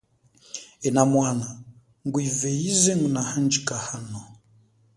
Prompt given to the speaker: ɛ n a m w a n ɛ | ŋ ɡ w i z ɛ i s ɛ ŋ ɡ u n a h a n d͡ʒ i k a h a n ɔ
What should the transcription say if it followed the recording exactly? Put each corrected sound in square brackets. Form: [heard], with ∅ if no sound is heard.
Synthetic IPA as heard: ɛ n a m w a n [a] | ŋ ɡ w i [v] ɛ i [z] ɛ ŋ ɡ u n a h a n d͡ʒ i k a h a n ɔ